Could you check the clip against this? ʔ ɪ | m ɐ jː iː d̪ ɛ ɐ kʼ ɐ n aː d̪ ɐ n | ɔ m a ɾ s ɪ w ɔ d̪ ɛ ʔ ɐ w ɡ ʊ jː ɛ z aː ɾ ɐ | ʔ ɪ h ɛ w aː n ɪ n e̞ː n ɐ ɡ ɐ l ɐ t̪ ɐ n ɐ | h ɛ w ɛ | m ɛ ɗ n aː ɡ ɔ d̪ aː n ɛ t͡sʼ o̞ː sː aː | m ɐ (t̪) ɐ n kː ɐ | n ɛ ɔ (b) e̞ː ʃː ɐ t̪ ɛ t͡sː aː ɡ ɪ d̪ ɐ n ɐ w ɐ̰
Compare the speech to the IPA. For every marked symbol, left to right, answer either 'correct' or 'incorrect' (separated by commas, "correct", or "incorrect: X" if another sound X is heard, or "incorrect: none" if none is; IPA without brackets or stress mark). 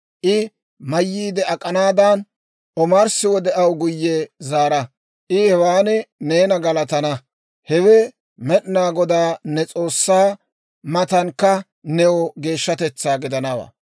correct, incorrect: ɡ